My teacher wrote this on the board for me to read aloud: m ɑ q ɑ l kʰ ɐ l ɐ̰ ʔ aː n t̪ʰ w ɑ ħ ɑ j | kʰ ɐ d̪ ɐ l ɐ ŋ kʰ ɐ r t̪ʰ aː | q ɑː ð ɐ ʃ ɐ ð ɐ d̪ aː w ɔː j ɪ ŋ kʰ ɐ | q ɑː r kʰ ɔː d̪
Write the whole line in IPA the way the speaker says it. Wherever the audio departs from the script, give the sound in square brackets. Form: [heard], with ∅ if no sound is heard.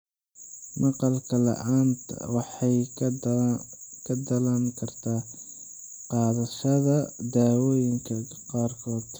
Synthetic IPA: m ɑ q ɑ l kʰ ɐ l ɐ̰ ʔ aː n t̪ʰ w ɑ ħ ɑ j | kʰ ɐ d̪ ɐ l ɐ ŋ kʰ ɐ r t̪ʰ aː | q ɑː ð ɐ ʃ ɐ ð ɐ d̪ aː w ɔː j ɪ ŋ kʰ ɐ | q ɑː r kʰ ɔː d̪